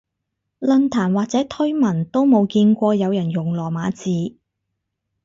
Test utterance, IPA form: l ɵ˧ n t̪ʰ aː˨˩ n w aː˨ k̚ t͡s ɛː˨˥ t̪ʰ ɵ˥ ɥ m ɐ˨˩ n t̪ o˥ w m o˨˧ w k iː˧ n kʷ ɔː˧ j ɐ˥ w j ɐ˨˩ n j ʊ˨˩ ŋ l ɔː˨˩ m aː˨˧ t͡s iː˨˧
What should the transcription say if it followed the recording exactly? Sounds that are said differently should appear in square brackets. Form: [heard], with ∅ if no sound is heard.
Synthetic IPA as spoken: l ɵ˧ n t̪ʰ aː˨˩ n w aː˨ k̚ t͡s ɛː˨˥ t̪ʰ ɵ˥ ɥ m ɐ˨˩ n t̪ o˥ w m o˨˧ w k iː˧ n kʷ ɔː˧ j [ɐ˨˧] w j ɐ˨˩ n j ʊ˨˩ ŋ l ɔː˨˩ m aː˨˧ t͡s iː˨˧